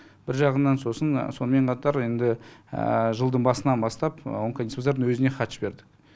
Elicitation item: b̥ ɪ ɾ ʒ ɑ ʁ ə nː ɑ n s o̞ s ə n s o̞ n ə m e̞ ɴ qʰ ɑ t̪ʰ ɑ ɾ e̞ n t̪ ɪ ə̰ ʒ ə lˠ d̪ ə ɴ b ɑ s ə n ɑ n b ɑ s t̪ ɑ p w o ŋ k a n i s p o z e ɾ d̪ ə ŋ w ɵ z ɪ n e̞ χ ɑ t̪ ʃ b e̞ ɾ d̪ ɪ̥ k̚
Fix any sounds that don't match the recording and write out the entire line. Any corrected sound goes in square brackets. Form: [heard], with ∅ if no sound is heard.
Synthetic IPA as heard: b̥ ɪ ɾ ʒ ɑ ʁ ə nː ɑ n s o̞ s ə n s o̞ n ə m e̞ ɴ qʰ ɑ [t̪] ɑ ɾ e̞ n [d̪] ɪ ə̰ ʒ ə lˠ d̪ ə ɴ b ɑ s ə n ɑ n b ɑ s t̪ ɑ p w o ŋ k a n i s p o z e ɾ d̪ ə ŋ w ɵ z ɪ n e̞ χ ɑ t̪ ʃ b e̞ ɾ d̪ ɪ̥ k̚